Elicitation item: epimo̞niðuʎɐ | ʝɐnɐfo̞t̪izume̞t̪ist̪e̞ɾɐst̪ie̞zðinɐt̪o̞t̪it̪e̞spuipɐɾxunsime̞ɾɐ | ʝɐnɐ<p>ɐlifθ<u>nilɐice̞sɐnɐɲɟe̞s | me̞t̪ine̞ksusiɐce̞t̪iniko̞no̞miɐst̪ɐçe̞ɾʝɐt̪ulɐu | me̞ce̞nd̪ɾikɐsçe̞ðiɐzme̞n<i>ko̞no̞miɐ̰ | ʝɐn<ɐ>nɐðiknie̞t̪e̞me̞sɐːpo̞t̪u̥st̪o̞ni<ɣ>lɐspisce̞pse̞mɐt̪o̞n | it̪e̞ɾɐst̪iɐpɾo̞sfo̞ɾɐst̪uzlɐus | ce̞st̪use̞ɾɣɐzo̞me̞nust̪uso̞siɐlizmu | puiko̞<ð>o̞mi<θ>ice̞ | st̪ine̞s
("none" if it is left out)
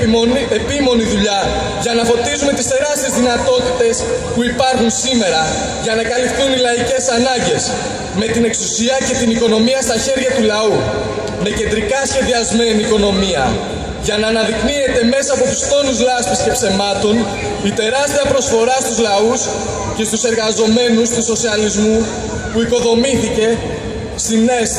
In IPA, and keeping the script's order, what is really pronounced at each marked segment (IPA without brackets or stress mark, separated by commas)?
k, u, iː, ɐː, z, ð, θ